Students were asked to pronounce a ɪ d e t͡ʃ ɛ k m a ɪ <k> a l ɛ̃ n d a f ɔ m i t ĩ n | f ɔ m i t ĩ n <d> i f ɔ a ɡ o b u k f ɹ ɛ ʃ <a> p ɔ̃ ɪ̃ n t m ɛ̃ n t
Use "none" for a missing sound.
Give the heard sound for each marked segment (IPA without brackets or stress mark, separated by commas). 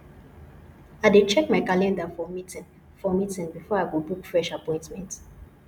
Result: k, b, a